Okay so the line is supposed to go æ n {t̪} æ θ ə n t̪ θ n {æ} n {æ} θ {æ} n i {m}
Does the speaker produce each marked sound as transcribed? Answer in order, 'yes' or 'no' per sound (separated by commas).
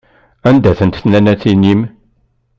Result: no, yes, yes, no, yes